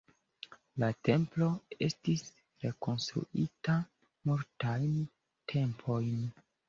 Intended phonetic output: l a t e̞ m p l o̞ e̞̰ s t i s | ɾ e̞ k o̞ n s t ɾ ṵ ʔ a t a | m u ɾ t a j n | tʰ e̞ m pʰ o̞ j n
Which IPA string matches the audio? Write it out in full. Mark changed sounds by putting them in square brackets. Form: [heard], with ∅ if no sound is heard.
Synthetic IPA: l a t e̞ m p l o̞ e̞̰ s t i s | ɾ e̞ k o̞ n s t ɾ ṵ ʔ [i] t a | m u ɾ t a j n | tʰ e̞ m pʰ o̞ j n